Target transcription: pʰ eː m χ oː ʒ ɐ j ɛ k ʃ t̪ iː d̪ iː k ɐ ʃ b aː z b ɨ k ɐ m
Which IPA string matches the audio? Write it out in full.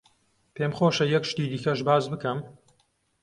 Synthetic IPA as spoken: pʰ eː m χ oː ʃ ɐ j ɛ k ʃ t̪ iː d̪ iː k ɐ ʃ b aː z b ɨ k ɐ m